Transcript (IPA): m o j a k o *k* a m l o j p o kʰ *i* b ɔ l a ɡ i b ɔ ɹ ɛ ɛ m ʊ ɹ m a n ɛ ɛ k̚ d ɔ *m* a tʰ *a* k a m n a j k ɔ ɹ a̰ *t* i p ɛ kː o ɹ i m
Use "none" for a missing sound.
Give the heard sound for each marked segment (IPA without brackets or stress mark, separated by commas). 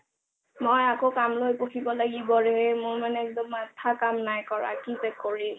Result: k, i, m, a, k